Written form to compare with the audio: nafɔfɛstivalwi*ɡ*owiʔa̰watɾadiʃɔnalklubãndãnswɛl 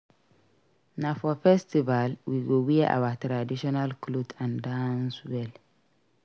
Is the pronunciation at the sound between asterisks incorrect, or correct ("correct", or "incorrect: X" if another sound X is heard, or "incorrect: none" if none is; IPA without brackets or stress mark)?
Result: correct